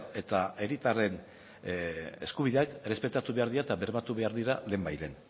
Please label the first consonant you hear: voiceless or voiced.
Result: voiceless